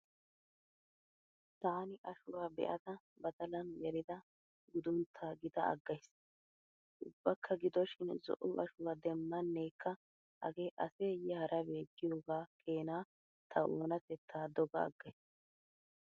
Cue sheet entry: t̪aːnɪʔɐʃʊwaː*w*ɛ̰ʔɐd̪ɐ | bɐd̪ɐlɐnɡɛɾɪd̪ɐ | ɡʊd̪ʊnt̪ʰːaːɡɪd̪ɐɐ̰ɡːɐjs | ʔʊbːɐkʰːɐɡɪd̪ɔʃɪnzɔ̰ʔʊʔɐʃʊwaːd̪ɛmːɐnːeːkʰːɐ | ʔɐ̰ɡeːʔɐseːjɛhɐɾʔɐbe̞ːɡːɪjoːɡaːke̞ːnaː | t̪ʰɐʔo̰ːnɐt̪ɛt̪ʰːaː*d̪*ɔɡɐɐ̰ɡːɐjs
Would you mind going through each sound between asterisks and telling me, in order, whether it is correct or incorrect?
incorrect: b, correct

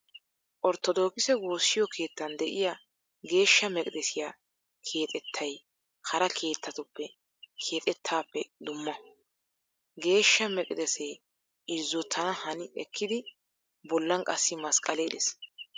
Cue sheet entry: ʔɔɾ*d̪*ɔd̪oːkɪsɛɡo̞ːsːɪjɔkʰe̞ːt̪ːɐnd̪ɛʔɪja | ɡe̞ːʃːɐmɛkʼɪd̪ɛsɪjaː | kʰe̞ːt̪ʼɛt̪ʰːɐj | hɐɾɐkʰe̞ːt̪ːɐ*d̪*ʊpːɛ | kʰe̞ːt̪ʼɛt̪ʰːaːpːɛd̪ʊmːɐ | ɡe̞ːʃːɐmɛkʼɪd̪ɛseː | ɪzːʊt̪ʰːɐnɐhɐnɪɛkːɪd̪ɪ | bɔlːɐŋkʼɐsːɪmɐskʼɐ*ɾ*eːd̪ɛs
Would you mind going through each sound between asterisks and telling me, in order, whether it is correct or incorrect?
incorrect: t̪, incorrect: t̪, incorrect: l

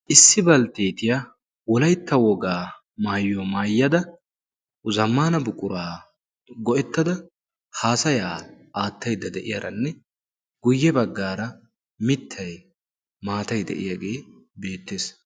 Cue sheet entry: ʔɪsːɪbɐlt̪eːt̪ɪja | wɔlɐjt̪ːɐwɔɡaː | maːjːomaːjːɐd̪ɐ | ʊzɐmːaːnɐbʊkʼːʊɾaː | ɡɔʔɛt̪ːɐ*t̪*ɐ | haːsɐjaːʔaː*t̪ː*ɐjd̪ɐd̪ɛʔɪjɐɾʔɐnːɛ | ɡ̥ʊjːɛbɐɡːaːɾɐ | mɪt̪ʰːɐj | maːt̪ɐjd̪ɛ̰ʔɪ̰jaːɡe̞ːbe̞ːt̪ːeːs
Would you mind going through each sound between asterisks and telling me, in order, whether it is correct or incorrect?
incorrect: d̪, correct

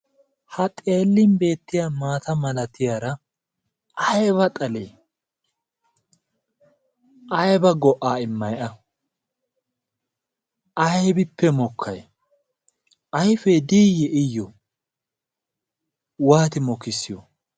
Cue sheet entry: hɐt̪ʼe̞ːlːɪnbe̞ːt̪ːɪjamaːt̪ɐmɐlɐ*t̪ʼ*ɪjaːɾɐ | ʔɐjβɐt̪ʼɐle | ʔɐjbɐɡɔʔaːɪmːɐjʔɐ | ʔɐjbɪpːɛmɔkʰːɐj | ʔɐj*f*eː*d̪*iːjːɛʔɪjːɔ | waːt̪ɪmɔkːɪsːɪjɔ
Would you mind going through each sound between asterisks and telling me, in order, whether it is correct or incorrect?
incorrect: t̪, correct, correct

